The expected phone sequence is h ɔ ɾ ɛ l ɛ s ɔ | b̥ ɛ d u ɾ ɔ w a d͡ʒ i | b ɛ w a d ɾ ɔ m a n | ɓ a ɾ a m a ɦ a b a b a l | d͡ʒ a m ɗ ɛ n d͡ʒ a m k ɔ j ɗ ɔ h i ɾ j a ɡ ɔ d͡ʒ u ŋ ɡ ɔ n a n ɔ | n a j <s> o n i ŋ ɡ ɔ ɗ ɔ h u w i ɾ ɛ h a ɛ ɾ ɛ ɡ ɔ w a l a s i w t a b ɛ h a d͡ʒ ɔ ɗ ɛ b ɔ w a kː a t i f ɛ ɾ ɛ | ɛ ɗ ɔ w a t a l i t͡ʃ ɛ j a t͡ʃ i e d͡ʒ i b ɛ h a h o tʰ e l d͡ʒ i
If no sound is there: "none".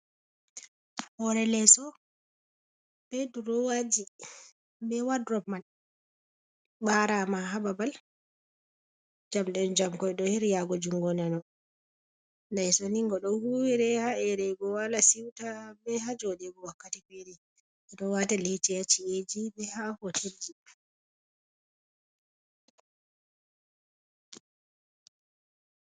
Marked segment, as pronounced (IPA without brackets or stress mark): s